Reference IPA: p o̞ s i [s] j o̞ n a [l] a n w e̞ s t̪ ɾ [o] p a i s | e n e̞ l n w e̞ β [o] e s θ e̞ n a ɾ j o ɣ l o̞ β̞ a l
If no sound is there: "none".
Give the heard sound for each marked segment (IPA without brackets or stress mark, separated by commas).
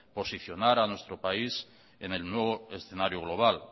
θ, ɾ, o, o